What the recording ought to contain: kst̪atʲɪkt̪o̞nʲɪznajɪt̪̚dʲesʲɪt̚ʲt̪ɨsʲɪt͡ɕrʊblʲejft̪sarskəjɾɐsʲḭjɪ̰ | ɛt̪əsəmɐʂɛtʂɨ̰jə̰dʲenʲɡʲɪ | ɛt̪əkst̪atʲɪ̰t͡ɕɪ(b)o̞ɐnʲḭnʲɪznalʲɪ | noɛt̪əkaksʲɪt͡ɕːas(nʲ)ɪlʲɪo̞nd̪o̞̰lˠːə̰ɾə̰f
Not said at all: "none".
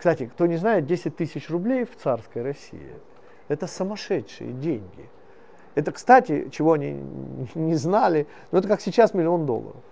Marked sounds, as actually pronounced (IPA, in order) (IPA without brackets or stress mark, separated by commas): v, mʲ